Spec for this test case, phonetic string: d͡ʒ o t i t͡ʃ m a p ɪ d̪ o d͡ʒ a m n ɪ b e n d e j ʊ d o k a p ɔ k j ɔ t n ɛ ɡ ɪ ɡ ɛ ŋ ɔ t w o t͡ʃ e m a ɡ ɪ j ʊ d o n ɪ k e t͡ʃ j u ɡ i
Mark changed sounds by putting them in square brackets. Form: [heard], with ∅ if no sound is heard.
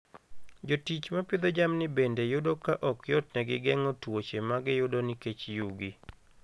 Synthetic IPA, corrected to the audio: d͡ʒ o t i t͡ʃ m a p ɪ d̪ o d͡ʒ a m n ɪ b e n d e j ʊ d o k a [ʔ] ɔ k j ɔ t n ɛ ɡ ɪ ɡ ɛ ŋ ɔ t w o t͡ʃ e m a ɡ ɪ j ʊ d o n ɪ k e t͡ʃ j u ɡ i